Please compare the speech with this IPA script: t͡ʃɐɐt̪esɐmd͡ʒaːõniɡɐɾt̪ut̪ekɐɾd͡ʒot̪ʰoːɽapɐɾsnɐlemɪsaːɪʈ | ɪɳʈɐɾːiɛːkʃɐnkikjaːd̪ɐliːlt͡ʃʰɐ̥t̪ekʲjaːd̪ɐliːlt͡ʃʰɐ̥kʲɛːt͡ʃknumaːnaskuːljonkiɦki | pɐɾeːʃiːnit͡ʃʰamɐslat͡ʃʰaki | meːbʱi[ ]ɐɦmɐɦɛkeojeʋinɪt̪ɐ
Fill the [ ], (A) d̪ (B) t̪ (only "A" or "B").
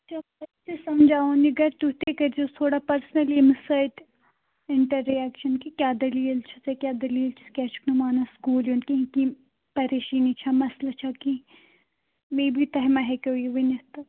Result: B